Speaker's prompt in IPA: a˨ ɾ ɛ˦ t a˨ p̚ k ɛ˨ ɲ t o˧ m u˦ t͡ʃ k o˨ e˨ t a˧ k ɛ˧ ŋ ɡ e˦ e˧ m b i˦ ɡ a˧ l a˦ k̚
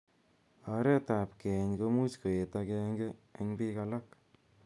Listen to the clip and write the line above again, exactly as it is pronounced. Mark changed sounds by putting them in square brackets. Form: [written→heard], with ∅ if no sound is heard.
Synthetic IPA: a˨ ɾ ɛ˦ t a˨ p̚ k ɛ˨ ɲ [t→k] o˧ m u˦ t͡ʃ k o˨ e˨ t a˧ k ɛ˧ ŋ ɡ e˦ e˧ [m→ŋ] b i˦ [ɡ→k] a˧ l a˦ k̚